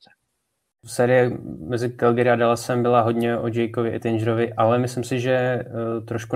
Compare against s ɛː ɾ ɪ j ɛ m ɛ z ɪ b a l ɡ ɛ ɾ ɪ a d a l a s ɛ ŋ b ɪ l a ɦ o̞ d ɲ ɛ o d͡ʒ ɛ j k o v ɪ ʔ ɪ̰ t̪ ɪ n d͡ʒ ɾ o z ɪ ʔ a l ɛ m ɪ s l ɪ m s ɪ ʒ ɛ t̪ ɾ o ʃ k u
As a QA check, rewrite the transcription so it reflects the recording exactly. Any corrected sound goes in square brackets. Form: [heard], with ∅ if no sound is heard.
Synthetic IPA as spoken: s ɛː ɾ ɪ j ɛ m ɛ z ɪ [ɡ] a l ɡ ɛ ɾ ɪ a d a l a s ɛ [m] b ɪ l a ɦ o̞ d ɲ ɛ o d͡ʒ ɛ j k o v ɪ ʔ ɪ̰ t̪ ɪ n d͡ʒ ɾ o [v] ɪ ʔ a l ɛ m ɪ s l ɪ m s ɪ ʒ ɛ t̪ ɾ o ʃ k u